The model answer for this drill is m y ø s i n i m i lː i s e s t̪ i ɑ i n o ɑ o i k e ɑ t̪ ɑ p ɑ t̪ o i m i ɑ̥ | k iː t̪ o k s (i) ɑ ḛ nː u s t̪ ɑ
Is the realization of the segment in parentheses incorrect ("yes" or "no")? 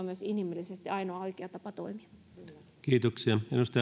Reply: no